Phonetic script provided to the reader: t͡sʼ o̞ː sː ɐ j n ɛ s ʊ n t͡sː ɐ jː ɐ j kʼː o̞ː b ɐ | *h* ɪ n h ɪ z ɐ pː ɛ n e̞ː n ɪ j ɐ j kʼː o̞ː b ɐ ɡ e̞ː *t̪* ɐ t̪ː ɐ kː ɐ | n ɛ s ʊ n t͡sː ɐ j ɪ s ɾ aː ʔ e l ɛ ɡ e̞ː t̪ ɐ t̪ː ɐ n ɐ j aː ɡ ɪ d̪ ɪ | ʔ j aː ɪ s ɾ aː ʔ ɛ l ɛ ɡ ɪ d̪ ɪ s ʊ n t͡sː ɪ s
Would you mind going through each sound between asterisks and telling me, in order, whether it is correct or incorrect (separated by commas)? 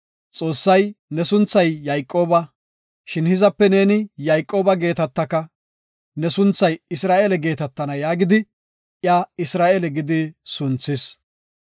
incorrect, correct